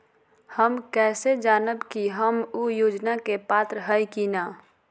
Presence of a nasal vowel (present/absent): absent